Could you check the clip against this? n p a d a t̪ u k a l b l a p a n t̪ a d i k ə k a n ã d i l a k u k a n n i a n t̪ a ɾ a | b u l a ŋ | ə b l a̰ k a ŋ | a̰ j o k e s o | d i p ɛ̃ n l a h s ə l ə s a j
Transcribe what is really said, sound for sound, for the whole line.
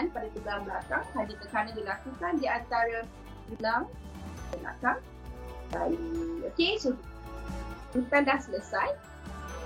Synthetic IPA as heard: n p a d a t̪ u ɡ a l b l a k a ŋ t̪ a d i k ə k a n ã d i l a k u k a n d i a n t̪ a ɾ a | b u l a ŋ | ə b l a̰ k a ŋ | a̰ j o k e s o | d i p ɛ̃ n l a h s ə l ə s a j